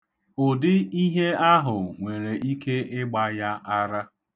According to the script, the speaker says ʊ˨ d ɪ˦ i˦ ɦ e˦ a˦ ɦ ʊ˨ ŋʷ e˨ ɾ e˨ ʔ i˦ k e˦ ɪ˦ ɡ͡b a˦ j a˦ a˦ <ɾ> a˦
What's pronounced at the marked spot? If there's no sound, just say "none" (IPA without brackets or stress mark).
ɾ